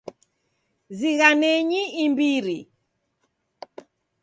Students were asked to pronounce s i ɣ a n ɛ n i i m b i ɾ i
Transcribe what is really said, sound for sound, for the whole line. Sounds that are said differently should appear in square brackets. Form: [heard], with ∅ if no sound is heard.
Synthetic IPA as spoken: [z] i ɣ a n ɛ [ɲ] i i m b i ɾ i